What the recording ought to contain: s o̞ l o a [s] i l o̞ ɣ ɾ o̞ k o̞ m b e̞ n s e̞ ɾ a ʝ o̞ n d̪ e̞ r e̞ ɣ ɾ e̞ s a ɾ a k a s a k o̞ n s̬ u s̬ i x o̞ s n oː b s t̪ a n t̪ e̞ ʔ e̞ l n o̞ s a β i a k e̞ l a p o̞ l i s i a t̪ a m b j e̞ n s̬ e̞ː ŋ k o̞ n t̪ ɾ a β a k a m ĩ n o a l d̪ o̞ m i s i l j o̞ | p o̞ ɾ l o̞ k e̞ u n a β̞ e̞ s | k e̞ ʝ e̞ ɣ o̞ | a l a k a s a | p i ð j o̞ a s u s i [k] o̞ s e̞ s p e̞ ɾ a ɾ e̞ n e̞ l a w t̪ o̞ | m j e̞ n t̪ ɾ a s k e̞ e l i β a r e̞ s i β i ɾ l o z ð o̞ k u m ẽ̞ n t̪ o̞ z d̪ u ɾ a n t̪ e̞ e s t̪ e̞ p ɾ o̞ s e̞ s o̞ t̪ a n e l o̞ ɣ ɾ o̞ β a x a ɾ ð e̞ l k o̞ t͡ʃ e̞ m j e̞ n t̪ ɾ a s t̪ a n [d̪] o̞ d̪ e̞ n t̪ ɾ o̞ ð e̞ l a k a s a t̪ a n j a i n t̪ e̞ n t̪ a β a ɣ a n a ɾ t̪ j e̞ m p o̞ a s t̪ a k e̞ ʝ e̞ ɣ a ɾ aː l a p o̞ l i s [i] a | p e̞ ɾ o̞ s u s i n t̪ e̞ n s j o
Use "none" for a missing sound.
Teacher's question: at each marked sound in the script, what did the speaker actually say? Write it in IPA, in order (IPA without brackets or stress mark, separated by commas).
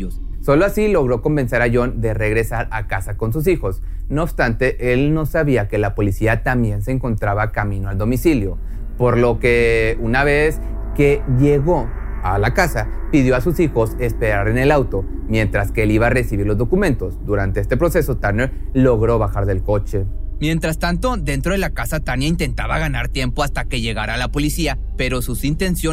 s, x, t̪, i